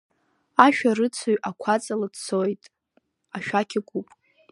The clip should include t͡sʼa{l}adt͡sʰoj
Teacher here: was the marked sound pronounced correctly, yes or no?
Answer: yes